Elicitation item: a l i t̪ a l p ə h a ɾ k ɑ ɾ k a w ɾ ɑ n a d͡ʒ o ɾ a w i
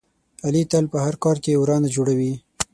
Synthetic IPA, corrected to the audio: a l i t̪ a l p ə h a ɾ k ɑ ɾ k e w ɾ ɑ n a d͡ʒ o ɽ a w i